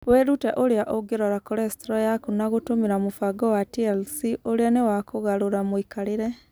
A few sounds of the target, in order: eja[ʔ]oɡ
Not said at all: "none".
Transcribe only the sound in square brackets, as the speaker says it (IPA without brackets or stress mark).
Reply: ʔ